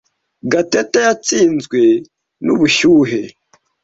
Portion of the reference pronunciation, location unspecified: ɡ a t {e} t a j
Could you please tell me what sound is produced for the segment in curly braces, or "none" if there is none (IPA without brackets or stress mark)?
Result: e